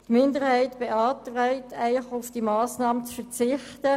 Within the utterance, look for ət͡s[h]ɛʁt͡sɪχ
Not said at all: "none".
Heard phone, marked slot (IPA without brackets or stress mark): f